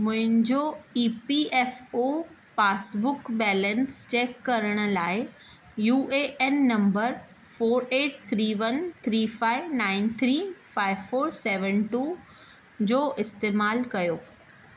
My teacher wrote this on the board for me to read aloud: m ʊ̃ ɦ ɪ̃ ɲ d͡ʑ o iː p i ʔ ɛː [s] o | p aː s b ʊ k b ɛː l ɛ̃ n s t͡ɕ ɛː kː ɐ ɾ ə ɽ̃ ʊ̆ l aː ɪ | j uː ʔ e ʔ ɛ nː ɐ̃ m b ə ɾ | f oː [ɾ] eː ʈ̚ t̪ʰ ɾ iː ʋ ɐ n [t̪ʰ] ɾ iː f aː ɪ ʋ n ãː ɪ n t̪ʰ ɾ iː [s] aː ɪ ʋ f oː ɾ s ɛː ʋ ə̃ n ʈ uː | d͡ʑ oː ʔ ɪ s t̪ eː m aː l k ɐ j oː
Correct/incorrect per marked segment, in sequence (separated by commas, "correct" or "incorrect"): incorrect, correct, correct, incorrect